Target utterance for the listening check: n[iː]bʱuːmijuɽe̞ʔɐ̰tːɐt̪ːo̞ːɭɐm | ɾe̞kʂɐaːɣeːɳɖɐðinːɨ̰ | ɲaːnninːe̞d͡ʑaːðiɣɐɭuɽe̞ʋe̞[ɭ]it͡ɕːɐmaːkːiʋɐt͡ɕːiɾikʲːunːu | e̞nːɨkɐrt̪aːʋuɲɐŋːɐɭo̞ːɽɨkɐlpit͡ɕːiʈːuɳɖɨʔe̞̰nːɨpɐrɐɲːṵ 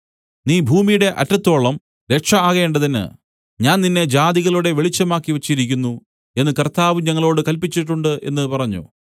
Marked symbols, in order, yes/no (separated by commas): yes, yes